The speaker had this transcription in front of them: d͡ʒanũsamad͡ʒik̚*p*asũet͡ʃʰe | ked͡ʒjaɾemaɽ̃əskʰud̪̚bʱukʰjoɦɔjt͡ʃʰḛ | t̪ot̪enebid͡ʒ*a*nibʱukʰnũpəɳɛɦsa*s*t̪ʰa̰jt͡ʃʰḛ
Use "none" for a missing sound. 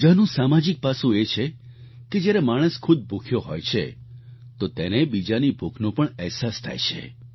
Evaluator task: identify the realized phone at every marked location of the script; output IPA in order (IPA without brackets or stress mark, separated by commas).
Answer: p, a, s